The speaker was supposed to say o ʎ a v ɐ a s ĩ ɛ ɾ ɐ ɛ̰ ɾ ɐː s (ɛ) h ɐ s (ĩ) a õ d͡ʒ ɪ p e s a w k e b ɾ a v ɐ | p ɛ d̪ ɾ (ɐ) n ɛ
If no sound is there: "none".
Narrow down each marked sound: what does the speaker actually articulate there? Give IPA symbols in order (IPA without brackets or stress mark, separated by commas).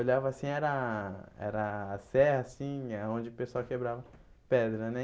ɛ, ĩ, ɐ